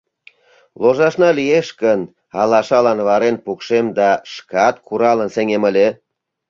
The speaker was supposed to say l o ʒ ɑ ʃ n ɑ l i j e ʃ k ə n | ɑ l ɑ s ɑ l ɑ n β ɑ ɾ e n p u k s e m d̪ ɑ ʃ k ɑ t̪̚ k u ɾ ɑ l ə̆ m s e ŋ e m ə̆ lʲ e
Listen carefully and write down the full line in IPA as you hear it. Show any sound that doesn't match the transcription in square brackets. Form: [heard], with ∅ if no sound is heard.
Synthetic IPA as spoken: l o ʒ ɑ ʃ n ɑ l i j e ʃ k ə n | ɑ l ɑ [ʃ] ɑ l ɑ n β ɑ ɾ e n p u k [ʃ] e m d̪ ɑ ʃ k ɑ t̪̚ k u ɾ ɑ l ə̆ [n] s e ŋ e m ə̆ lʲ e